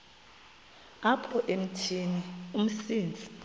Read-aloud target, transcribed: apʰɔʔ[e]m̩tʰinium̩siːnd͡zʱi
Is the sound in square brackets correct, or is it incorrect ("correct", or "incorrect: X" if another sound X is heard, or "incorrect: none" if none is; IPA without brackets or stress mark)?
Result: correct